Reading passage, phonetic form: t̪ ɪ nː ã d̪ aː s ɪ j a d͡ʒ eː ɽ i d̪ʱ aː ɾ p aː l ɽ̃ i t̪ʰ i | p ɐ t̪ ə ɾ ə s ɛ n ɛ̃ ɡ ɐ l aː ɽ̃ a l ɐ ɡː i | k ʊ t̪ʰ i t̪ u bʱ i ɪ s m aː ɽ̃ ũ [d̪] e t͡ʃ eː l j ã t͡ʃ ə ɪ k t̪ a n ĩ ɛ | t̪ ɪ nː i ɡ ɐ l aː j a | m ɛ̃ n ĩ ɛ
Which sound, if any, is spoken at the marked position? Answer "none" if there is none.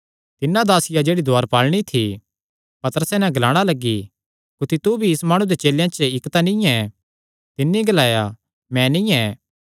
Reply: d̪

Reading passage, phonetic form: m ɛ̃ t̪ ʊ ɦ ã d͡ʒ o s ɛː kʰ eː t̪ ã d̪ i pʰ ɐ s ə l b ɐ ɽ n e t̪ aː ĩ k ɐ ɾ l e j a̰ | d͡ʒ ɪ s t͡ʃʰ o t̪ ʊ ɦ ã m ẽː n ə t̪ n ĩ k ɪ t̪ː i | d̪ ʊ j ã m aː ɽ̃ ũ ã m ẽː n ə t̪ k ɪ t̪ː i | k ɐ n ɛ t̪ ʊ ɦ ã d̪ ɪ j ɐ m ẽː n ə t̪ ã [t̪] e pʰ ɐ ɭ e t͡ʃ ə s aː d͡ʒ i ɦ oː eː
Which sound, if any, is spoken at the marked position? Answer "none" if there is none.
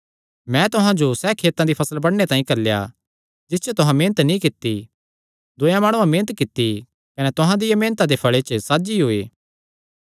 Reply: d̪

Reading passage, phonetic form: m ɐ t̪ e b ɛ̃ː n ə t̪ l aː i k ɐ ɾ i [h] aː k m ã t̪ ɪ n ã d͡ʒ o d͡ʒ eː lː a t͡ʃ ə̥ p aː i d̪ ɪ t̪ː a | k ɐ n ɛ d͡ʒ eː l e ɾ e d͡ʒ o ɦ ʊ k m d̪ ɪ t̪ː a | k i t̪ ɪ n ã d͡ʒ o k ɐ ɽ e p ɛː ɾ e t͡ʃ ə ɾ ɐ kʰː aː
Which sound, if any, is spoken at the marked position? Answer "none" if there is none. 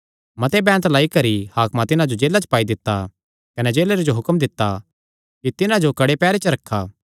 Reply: h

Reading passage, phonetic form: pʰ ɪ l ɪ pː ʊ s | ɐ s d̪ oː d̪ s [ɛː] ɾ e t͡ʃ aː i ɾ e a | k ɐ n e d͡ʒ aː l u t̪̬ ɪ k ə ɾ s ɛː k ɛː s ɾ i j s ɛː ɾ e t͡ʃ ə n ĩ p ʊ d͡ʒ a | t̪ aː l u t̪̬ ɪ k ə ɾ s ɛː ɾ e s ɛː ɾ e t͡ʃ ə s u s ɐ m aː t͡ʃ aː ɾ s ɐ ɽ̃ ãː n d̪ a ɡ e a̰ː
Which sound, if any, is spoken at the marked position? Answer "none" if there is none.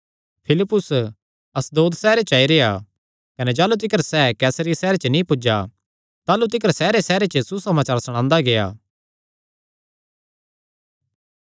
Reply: ɛː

